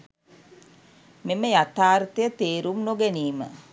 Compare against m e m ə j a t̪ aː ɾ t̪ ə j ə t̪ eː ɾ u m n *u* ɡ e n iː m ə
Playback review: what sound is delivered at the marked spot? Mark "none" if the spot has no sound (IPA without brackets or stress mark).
o